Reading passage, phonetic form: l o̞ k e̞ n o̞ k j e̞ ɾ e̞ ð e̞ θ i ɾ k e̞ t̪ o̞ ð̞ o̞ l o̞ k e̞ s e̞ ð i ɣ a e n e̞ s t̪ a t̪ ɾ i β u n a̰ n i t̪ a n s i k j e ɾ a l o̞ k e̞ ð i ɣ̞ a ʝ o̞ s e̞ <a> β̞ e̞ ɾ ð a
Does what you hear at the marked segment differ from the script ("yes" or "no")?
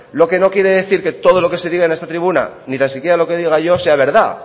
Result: no